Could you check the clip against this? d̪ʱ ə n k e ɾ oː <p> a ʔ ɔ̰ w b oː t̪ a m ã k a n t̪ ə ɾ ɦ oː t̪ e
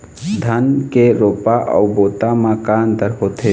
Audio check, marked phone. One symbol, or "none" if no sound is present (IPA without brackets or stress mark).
p